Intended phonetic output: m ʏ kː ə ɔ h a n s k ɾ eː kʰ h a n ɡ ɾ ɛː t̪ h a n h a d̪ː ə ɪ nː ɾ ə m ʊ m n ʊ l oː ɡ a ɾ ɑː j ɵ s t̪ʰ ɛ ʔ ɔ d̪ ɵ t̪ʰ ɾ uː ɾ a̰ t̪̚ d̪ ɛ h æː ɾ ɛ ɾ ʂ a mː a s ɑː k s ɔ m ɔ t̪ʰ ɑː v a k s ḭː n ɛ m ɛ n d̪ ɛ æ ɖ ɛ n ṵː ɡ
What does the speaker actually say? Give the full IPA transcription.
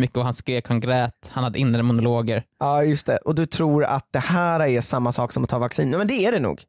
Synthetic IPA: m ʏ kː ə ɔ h a n s k ɾ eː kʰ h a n ɡ ɾ ɛː t̪ h a n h a d̪ː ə ɪ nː ɾ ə m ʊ n ʊ l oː ɡ ə ɾ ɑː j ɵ s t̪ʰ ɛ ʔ ɔ d̪ ɵ t̪ʰ ɾ uː ɾ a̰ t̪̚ d̪ ɛ h æː ɾ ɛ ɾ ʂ a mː a s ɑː k s ɔ m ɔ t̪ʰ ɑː v a k s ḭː n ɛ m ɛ n d̪ ɛ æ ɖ ɛ n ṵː ɡ